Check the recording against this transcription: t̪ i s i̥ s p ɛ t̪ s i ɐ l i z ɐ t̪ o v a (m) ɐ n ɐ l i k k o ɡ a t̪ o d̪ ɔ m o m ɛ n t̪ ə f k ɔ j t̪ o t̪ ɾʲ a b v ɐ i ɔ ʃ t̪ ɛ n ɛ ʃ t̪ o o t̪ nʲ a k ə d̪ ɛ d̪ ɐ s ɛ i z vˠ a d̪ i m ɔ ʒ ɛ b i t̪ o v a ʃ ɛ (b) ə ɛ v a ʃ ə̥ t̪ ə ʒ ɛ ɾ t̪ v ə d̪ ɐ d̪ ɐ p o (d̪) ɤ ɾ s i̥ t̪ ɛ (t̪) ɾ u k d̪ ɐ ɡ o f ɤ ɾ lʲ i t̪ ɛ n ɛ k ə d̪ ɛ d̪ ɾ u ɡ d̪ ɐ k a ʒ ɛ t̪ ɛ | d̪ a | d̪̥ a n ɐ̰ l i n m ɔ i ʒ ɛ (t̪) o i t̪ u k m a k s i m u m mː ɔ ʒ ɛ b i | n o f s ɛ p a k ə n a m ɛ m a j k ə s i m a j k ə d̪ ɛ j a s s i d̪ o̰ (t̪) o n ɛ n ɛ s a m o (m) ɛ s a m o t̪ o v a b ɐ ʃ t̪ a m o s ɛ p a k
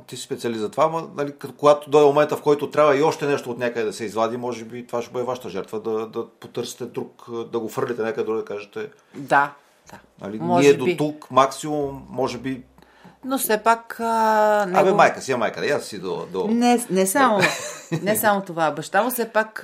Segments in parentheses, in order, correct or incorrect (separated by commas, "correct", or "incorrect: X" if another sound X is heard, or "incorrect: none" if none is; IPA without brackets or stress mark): correct, correct, incorrect: t̪, incorrect: d̪, incorrect: d̪, incorrect: d̪, incorrect: n